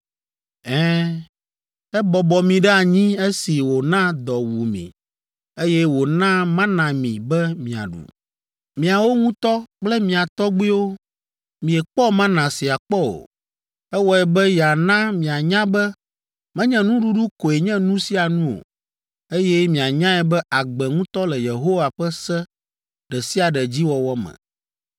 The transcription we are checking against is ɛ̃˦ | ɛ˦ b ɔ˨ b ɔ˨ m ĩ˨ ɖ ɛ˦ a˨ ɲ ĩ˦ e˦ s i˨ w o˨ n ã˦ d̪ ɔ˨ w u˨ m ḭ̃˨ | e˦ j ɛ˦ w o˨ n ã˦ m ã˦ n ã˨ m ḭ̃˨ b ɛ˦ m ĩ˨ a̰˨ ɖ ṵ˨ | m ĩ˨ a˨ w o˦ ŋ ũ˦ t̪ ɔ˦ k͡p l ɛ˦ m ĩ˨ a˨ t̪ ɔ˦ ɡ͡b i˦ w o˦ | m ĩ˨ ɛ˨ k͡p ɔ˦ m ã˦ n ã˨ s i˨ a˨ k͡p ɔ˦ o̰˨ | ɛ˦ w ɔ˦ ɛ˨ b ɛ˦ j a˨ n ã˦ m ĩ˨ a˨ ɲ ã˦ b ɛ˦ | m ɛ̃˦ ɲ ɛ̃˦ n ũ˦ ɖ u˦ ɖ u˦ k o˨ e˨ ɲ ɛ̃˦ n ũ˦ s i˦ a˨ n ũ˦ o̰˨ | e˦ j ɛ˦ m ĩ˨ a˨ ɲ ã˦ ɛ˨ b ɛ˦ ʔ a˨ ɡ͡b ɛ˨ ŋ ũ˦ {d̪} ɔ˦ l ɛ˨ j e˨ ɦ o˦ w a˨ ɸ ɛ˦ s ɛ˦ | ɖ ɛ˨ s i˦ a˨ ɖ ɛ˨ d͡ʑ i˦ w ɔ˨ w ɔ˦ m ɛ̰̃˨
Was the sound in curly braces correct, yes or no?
no